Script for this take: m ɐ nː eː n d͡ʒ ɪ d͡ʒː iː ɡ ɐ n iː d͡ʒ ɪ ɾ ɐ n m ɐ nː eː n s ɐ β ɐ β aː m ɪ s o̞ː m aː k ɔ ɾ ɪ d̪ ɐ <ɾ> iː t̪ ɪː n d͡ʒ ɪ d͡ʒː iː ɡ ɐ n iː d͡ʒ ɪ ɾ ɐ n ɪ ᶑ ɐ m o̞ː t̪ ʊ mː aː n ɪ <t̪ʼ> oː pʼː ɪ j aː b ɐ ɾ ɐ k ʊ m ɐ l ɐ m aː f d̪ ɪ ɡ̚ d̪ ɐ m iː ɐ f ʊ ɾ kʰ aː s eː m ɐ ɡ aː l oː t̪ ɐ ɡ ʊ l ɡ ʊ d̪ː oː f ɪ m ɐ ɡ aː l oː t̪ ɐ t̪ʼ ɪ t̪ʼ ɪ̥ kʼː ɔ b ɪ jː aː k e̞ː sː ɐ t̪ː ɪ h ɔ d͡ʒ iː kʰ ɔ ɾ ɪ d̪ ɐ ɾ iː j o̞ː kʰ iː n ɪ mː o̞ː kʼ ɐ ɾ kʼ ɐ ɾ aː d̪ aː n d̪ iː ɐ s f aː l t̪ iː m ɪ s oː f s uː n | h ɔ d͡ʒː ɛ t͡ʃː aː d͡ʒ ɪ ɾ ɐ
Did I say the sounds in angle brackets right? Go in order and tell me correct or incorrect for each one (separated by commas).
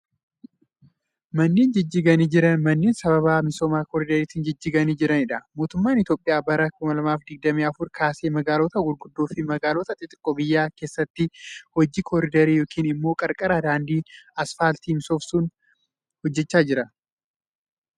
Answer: correct, incorrect